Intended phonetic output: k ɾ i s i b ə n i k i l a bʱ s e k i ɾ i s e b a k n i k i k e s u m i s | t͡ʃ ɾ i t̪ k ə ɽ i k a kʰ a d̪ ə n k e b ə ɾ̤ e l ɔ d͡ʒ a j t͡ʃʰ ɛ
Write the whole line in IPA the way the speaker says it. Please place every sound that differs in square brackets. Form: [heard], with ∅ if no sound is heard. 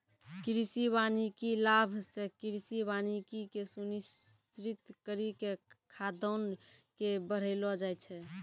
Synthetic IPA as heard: k ɾ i s i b [a] n i k i l a bʱ s e k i ɾ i s [i] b a [∅] n i k i k e s u [n] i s | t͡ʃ ɾ i t̪ k ə [ɾ] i k [e] kʰ a d̪ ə n k e b ə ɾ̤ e l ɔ d͡ʒ a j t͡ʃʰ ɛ

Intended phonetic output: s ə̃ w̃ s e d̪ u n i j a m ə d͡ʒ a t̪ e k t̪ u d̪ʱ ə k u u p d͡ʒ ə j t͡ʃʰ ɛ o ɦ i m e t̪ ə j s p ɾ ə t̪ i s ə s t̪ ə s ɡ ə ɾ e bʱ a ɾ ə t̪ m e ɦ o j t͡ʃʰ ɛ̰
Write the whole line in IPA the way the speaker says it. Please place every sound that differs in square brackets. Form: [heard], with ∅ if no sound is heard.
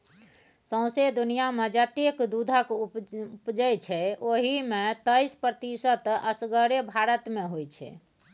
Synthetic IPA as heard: s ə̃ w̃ s e d̪ u n i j a m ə d͡ʒ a t̪ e k [d̪] u d̪ʱ ə k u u p d͡ʒ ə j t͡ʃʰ ɛ o ɦ i m e t̪ ə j s p ɾ ə t̪ i s ə [∅] t̪ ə s ɡ ə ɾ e bʱ a ɾ ə t̪ m e ɦ o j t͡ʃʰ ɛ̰

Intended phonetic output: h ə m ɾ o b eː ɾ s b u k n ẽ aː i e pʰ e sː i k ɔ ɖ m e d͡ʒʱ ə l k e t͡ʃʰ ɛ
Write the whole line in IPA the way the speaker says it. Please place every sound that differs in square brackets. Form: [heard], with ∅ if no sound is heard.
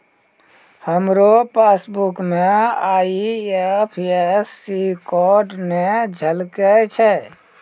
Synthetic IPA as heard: h ə m ɾ o [p] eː [∅] s b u k [m] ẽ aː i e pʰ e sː i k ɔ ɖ [n] e d͡ʒʱ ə l k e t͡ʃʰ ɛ

